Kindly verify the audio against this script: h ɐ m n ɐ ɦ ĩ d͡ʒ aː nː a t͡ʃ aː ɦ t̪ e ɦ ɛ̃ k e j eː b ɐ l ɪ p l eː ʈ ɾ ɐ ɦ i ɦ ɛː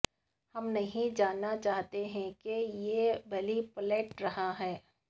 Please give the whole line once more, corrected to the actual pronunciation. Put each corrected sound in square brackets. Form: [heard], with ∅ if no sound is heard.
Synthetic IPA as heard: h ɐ m n ɐ ɦ ĩ d͡ʒ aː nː a t͡ʃ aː ɦ t̪ e ɦ ɛ̃ k e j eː b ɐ l [i] p l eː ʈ ɾ ɐ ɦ [a] ɦ ɛː